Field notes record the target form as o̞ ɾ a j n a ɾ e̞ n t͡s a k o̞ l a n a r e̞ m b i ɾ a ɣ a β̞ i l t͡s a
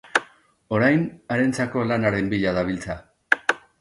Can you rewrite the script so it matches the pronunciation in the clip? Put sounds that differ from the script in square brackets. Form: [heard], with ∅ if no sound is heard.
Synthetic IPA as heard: o̞ ɾ a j n a ɾ e̞ n t͡s a k o̞ l a n a [ɾ] e̞ m b i [ʎ] a [ð] a β̞ i l t͡s a